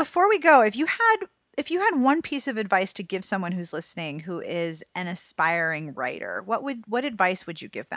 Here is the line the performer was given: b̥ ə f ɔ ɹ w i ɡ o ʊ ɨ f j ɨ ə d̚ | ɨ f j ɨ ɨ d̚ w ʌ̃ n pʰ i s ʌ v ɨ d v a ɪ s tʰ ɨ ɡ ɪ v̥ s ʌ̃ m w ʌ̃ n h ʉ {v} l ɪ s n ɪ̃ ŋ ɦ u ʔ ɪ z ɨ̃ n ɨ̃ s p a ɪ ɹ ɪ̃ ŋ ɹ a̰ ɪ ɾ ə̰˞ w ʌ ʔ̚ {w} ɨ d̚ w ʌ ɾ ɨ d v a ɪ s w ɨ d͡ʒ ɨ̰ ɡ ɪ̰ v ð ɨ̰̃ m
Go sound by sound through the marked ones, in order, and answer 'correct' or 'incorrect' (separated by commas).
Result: incorrect, correct